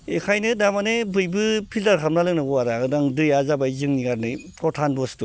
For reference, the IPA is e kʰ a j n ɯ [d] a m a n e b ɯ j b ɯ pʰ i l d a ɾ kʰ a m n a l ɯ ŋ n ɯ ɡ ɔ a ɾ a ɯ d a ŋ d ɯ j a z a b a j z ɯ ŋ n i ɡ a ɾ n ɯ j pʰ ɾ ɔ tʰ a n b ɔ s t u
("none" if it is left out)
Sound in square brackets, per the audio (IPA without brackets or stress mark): d